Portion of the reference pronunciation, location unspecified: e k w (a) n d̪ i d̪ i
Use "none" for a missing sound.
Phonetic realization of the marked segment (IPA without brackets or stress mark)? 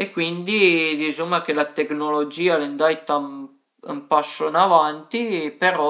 i